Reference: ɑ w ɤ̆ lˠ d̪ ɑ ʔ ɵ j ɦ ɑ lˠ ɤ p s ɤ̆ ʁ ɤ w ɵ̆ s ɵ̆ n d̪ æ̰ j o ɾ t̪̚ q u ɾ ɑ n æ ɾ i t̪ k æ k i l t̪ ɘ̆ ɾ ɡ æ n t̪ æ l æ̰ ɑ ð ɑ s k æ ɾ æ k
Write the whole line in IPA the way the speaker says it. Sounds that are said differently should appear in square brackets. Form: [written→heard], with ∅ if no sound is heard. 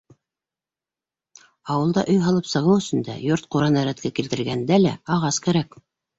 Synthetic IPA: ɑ w ɤ̆ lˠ d̪ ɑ ʔ ɵ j ɦ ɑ lˠ ɤ p s ɤ̆ ʁ ɤ w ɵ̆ s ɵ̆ n d̪ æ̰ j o ɾ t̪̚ q u ɾ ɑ n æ ɾ [i→æ] t̪ k æ k i l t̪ ɘ̆ ɾ ɡ æ n [t̪→d̪] æ l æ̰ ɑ [ð→ʁ] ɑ s k æ ɾ æ k